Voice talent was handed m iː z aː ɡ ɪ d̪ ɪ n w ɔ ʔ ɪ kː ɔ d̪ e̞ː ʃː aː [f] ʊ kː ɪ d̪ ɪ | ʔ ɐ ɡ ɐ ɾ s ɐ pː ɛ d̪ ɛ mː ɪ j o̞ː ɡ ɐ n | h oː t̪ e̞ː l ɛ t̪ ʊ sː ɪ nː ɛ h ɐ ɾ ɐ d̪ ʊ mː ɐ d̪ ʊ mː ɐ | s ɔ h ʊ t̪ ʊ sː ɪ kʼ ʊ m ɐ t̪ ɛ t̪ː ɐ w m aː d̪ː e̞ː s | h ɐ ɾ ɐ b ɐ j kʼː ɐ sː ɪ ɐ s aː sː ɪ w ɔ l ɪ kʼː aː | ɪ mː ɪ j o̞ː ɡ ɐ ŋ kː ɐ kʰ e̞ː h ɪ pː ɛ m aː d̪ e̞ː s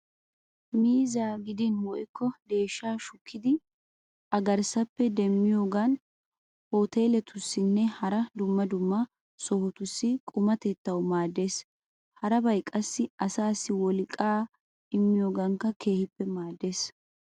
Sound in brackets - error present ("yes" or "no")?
yes